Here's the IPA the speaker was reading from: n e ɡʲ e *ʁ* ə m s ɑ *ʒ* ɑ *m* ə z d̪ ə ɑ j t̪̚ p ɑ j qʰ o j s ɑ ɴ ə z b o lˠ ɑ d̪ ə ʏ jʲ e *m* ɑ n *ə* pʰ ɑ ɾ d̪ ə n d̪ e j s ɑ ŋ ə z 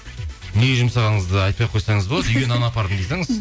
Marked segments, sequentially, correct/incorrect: incorrect: ʒ, incorrect: ʁ, incorrect: ɴ, incorrect: n, incorrect: ɑ

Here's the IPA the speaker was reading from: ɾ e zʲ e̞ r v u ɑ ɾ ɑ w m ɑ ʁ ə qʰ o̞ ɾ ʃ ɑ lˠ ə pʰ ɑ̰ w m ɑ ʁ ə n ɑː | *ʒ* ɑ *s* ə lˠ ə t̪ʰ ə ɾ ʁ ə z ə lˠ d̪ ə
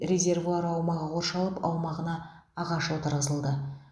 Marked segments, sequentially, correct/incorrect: incorrect: ʁ, incorrect: ʃ

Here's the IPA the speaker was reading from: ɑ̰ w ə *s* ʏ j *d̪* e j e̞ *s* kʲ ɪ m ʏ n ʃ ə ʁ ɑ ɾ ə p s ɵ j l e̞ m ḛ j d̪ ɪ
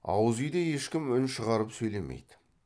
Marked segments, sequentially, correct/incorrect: incorrect: z, correct, incorrect: ʃ

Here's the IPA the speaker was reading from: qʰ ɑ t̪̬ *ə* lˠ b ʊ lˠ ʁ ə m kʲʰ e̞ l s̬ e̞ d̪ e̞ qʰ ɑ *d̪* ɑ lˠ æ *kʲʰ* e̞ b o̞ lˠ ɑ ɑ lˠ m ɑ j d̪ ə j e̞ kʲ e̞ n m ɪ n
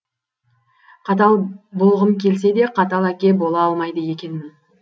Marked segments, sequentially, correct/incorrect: incorrect: ɑ, incorrect: t̪, incorrect: kʲ

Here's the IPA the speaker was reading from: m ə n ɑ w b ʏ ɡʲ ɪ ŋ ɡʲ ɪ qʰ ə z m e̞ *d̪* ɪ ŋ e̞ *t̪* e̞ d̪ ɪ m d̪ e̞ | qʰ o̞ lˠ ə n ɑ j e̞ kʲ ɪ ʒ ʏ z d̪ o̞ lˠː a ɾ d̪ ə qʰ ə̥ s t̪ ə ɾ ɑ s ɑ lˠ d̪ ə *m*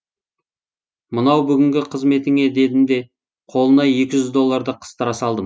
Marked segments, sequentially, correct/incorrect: incorrect: t̪, incorrect: d̪, correct

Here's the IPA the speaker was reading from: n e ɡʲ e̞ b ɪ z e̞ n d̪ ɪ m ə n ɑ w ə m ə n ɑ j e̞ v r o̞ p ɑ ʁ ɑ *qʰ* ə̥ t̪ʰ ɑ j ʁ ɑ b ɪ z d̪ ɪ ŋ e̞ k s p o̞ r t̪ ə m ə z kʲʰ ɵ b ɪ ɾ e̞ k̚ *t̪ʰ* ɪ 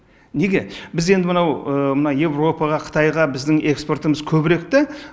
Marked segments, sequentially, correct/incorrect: correct, incorrect: t̪

